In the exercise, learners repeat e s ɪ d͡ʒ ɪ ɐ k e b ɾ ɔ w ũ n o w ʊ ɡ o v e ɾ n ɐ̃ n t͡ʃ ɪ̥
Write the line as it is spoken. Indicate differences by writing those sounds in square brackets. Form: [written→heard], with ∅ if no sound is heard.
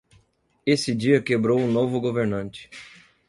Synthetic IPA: e s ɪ d͡ʒ [ɪ→i] ɐ k e b ɾ [ɔ→o] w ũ n o [w→v] ʊ ɡ o v e ɾ n ɐ̃ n t͡ʃ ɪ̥